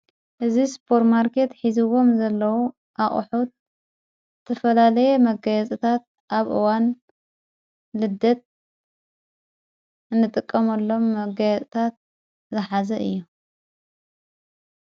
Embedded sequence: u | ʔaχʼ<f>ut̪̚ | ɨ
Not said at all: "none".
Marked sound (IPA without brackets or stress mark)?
ħ